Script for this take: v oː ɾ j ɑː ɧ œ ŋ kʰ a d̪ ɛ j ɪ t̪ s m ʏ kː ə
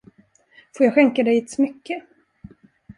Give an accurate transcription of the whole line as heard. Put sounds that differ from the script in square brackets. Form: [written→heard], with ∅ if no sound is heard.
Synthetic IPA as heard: [v→f] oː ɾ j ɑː ɧ [œ→ɛ] ŋ [kʰ→k] a d̪ ɛ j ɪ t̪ s m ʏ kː ə

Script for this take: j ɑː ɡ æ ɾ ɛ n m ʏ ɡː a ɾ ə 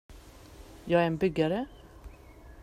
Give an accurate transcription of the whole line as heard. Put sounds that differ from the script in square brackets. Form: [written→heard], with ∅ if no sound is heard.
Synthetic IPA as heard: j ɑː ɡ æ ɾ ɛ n [m→b] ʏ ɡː a ɾ ə

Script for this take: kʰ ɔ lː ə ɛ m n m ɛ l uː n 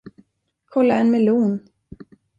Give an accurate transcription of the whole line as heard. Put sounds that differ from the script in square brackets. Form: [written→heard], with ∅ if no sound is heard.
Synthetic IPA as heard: kʰ ɔ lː [ə→a] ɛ [m→∅] n m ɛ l uː n

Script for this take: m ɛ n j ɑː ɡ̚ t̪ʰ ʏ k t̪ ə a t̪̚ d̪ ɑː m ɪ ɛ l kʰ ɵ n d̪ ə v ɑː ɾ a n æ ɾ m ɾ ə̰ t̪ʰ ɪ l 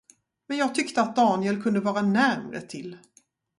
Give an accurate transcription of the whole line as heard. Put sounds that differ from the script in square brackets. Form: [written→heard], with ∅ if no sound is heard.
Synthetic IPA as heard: m ɛ n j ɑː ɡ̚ t̪ʰ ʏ k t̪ ə a t̪̚ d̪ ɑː [m→n] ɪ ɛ l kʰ ɵ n d̪ ə v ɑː ɾ a n æ ɾ m ɾ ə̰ t̪ʰ ɪ l

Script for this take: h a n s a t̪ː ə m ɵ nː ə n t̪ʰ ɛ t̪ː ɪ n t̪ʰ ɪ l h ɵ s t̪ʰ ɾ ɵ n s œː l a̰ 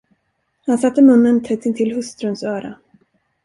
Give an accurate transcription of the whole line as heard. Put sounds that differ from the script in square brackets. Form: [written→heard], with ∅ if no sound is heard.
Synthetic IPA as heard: h a n s a t̪ː ə m ɵ nː ə n t̪ʰ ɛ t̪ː ɪ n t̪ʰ ɪ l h ɵ s [t̪ʰ→t̪] ɾ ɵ n s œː [l→ɾ] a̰

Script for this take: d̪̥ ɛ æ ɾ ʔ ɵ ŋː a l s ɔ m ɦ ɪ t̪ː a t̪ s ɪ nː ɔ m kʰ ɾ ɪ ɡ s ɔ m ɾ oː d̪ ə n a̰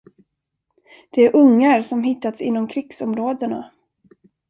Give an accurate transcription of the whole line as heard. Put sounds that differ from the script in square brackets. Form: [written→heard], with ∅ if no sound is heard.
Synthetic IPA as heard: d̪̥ ɛ æ ɾ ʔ ɵ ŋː a [l→ɾ] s ɔ m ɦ ɪ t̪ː a t̪ s ɪ nː ɔ m kʰ ɾ ɪ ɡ s ɔ m ɾ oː d̪ ə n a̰

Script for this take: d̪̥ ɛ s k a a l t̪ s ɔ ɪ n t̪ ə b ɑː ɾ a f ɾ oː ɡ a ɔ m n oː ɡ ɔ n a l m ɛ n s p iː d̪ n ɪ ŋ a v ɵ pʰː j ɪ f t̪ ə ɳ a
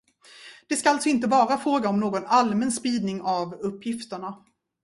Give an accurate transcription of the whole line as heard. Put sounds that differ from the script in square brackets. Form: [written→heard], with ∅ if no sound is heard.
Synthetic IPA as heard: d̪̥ ɛ s k a a l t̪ s ɔ ɪ n t̪ ə [b→v] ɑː ɾ a f ɾ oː ɡ a ɔ m n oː ɡ ɔ n a l m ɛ n s p iː d̪ n ɪ ŋ a v ɵ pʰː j ɪ f t̪ ə ɳ a

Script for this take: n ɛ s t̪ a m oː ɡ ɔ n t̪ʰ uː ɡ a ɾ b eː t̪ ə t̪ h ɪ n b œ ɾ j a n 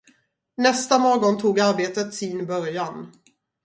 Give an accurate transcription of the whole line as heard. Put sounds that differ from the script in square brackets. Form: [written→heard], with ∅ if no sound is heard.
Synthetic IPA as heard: n ɛ s t̪ a m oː ɡ ɔ n t̪ʰ uː ɡ a ɾ b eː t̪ ə t̪ [h→s] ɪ n b œ ɾ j a n

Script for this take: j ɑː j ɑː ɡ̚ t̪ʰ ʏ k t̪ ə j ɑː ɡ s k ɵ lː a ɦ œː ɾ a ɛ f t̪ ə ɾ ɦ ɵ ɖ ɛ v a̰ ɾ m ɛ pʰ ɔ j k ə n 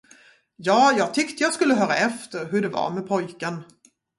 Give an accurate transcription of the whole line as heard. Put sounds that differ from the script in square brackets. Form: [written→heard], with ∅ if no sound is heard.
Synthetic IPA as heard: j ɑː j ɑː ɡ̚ t̪ʰ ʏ k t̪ ə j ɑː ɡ s k ɵ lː [a→ə] ɦ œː ɾ a ɛ f t̪ ə ɾ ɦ ɵ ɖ ɛ v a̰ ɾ m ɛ pʰ ɔ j k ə n

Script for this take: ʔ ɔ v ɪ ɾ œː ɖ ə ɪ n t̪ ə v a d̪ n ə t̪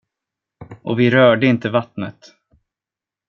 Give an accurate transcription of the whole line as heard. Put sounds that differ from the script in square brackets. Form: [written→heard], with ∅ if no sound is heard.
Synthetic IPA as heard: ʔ ɔ v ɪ ɾ œː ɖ ə ɪ n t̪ ə v a [d̪→t̪] n ə t̪

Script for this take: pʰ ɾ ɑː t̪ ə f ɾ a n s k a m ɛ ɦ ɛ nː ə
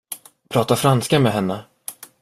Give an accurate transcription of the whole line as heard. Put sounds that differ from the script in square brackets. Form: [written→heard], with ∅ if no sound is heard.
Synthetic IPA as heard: pʰ ɾ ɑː t̪ [ə→a] f ɾ a n s k a m ɛ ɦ ɛ nː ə

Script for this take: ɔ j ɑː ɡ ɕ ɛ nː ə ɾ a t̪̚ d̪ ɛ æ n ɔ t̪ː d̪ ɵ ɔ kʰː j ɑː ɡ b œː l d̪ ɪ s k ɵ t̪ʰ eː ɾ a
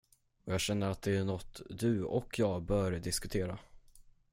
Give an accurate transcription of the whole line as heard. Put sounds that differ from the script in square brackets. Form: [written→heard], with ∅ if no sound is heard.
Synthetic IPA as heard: ɔ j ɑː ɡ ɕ ɛ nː ə ɾ a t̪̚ d̪ ɛ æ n ɔ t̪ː d̪ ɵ ɔ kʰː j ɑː ɡ b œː [l→ɾ] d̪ ɪ s k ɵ t̪ʰ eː ɾ a

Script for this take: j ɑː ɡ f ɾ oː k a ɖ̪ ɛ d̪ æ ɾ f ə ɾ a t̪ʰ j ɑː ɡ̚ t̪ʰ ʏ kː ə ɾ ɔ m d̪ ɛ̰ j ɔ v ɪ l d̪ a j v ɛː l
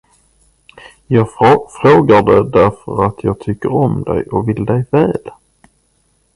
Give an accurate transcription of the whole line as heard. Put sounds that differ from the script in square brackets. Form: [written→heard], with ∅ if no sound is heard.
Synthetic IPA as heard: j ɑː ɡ f ɾ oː [k→ɡ] a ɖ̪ ɛ d̪ æ ɾ f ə ɾ a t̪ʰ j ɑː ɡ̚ t̪ʰ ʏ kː ə ɾ ɔ m d̪ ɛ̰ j ɔ v ɪ l d̪ [a→ɛ] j v ɛː l

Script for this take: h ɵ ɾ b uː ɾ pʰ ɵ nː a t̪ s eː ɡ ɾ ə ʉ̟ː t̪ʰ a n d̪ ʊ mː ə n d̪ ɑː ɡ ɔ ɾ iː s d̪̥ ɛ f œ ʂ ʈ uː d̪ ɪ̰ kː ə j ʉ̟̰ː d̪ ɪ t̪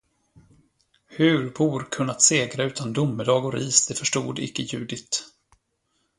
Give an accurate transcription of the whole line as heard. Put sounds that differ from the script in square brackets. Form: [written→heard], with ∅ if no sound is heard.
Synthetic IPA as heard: h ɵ ɾ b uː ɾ [pʰ→kʰ] ɵ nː a t̪ s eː ɡ ɾ [ə→a] ʉ̟ː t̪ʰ a n d̪ ʊ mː ə [n→∅] d̪ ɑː ɡ ɔ ɾ iː s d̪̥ ɛ f œ ʂ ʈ uː d̪ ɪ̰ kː ə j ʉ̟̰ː d̪ ɪ t̪

